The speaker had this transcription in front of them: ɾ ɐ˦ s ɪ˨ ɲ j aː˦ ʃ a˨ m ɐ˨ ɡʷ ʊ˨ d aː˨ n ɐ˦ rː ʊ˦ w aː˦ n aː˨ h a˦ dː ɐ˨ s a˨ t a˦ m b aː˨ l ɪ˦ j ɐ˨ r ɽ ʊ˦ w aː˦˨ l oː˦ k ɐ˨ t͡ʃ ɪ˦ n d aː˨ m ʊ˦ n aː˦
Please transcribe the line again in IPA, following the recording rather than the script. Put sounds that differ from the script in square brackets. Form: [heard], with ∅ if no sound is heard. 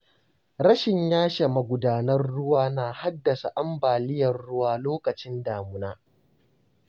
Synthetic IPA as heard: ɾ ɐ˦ [ʃ] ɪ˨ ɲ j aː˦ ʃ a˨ m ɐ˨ ɡʷ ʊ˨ d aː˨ n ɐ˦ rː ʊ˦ w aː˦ n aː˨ h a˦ dː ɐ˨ s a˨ [ʔ] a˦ m b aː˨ l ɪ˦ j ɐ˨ r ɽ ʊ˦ w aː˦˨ l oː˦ k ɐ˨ t͡ʃ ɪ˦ n d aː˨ m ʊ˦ n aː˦

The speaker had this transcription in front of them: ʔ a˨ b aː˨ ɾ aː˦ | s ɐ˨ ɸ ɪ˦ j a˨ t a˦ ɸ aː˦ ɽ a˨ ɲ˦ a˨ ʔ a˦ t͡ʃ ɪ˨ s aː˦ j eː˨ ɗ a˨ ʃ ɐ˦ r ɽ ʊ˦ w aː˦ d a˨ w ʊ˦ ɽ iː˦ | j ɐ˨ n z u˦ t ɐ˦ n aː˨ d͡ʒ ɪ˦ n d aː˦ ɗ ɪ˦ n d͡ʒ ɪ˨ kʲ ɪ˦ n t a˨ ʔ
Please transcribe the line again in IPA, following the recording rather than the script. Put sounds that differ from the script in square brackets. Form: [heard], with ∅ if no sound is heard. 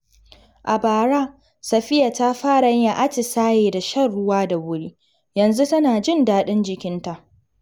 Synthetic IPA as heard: ʔ a˨ b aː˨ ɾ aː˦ | s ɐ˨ ɸ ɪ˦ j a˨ t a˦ ɸ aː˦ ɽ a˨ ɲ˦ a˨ ʔ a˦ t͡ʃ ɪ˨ s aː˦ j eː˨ [d] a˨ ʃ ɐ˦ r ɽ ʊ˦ w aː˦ d a˨ w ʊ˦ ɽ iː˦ | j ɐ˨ n z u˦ t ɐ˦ n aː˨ d͡ʒ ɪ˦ n d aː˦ ɗ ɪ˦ n d͡ʒ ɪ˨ kʲ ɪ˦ n t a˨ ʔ

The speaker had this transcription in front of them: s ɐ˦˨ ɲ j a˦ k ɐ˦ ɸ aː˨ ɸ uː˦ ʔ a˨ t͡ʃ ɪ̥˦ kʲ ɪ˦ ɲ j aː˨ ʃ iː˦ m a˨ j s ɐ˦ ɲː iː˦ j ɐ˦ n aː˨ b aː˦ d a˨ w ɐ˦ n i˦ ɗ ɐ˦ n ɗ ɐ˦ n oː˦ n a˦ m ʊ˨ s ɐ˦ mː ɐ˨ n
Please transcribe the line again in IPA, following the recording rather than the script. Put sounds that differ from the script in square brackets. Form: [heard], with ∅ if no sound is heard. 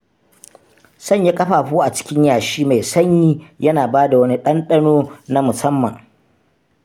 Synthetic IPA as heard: s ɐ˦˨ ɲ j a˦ [kʼ] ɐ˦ ɸ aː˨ ɸ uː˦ ʔ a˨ t͡ʃ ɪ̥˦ kʲ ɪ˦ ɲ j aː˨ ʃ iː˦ m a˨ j s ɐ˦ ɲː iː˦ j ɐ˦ n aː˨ b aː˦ d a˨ w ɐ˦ n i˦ ɗ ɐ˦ n ɗ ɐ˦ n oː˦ n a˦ m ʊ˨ s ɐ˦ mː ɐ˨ [ŋ]

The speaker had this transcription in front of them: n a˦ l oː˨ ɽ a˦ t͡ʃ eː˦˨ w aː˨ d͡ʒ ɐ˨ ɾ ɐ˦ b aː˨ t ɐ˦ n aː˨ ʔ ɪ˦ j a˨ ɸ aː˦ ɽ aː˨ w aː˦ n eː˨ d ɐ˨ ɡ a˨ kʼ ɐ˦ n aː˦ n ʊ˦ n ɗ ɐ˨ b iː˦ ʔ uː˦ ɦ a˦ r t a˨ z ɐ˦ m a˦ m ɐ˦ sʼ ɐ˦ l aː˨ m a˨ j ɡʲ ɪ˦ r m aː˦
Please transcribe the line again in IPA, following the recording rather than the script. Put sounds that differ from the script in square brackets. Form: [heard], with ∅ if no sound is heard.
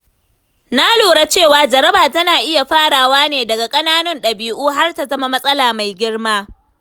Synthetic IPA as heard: n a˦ l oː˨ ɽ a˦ t͡ʃ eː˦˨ w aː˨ d͡ʒ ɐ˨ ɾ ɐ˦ b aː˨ t ɐ˦ n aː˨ ʔ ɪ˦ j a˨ ɸ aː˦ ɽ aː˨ w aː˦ n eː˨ d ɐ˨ ɡ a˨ kʼ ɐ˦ n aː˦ n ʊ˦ n ɗ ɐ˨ b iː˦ ʔ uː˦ ɦ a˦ r t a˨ z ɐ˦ m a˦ m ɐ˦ sʼ ɐ˦ l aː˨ m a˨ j ɡʲ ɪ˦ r m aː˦

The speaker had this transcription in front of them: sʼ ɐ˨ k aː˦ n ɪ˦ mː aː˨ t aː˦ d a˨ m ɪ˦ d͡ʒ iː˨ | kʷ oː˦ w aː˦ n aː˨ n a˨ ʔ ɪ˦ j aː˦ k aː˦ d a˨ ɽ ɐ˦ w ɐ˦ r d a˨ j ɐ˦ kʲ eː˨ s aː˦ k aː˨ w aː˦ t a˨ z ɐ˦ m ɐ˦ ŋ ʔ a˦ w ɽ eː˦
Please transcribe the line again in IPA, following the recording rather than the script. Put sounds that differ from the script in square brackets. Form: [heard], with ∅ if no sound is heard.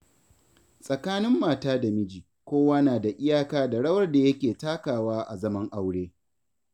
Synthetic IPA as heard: sʼ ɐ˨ k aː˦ n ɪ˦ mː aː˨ t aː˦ d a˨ m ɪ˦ d͡ʒ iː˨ | kʷ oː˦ w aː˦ n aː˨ [d] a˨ ʔ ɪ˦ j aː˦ k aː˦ d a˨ ɽ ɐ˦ w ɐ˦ r d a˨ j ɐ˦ kʲ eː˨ [t] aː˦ k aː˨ w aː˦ [ʔ] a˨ z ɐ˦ m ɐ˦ ŋ ʔ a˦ w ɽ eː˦

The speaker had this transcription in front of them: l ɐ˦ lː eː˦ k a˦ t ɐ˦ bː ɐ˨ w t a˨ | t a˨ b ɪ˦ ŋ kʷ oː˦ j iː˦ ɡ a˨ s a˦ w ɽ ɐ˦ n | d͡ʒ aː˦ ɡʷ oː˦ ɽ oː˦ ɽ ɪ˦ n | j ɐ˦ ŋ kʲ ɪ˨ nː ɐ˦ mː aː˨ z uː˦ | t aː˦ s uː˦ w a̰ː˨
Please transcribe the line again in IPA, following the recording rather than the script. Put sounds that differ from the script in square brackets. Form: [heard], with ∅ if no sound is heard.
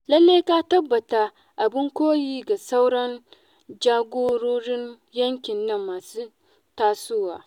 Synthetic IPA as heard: l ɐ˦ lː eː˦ k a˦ t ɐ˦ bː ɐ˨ [∅] t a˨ | [ʔ] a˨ b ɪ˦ ŋ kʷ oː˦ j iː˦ ɡ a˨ s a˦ w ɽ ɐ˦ n | d͡ʒ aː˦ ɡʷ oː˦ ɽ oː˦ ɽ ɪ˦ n | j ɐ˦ ŋ kʲ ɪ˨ nː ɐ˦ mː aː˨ [s] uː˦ | t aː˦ s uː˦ w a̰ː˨

